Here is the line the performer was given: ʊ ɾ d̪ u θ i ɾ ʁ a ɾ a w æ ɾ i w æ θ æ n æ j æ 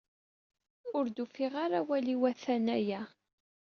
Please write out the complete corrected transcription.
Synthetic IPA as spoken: ʊ ɾ d̪ u f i ʁ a ɾ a w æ l i w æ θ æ n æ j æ